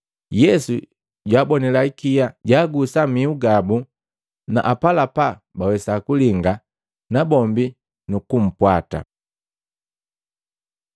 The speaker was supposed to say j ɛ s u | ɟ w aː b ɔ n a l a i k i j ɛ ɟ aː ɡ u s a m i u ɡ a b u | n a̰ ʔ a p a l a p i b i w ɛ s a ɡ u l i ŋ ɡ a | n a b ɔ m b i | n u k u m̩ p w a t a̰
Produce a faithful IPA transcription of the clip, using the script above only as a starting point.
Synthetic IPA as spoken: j ɛ s u | ɟ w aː b ɔ n ɛ l a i k i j a ɟ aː ɡ u s a m i u ɡ a b u | n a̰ ʔ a p a l a p a b a w ɛ s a k u l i ŋ ɡ a | n a b ɔ m b i | n u k u m̩ p w a t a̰